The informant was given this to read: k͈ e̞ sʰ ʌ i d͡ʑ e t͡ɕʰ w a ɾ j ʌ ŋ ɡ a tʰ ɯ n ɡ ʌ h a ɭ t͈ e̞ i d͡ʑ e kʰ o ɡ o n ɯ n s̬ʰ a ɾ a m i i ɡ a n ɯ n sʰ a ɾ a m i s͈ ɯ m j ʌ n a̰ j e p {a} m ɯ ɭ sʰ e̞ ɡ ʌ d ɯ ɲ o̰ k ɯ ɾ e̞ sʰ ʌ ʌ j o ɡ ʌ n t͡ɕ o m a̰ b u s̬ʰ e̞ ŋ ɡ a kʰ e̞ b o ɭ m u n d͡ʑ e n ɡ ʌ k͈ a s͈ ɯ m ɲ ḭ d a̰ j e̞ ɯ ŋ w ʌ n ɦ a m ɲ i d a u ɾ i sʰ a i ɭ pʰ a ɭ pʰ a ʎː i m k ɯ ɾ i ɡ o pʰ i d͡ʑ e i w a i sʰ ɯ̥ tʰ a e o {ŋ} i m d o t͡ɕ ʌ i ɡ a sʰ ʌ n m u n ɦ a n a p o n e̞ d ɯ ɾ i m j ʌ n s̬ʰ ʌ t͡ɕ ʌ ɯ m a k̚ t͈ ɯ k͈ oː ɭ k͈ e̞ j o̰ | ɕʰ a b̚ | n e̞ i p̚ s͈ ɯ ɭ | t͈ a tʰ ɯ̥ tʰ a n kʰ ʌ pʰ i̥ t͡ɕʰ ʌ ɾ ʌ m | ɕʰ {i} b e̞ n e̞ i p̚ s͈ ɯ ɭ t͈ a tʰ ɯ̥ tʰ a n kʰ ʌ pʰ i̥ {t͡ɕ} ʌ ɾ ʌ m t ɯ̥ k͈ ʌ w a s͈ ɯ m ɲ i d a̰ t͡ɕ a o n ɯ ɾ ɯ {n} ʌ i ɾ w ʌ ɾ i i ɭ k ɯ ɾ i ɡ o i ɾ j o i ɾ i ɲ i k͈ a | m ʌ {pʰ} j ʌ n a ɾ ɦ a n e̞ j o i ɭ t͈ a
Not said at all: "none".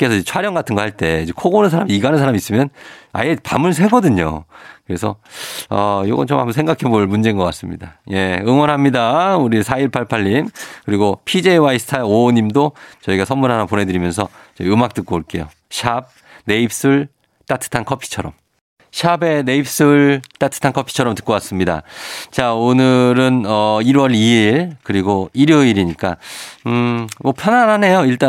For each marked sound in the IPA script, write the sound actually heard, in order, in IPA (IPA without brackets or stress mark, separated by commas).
a, ɲ, a, t͡ɕʰ, n, pʰ